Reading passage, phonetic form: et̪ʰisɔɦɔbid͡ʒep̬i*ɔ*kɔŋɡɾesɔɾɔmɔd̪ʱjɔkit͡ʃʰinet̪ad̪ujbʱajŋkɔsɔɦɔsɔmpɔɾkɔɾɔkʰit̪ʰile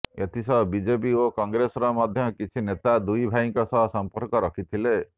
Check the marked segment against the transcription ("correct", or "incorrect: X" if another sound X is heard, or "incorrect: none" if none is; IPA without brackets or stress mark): incorrect: o